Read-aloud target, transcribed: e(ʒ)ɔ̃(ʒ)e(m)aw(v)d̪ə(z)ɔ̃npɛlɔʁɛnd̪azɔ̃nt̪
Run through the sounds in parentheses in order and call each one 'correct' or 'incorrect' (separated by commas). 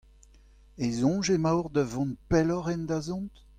incorrect, correct, correct, incorrect, incorrect